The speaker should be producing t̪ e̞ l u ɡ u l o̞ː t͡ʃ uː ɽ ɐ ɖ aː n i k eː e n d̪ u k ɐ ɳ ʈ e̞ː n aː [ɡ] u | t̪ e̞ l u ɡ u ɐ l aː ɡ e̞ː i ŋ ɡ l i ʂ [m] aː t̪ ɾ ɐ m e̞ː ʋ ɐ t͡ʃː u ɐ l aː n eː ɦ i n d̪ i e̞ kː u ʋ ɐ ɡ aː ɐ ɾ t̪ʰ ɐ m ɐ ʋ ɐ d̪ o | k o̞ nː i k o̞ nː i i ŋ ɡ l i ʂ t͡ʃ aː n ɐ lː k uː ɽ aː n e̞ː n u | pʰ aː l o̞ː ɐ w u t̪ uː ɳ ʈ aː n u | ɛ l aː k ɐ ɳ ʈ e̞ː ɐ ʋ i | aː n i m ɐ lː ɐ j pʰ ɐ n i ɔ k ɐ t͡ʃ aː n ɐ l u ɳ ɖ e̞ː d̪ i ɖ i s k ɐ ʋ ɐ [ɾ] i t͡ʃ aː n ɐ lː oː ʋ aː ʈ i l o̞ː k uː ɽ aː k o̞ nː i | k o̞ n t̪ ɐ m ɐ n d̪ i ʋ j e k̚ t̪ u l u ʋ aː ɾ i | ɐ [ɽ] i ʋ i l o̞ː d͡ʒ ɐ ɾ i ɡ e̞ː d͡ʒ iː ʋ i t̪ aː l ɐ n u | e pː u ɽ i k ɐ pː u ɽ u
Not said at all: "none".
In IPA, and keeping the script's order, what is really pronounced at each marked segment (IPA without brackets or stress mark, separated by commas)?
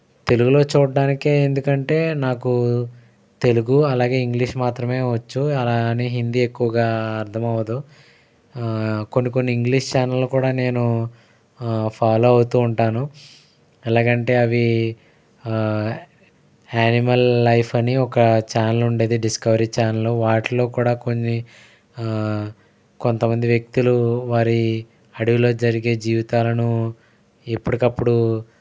k, m, ɾ, ɽ